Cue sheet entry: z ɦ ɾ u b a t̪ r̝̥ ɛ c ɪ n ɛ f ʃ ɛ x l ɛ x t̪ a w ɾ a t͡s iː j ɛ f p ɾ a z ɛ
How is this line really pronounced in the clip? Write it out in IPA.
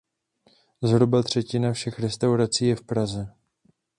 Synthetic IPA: z ɦ ɾ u b a t̪ r̝̥ ɛ c ɪ n a f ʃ ɛ x ɾ ɛ s t̪ a w ɾ a t͡s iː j ɛ f p ɾ a z ɛ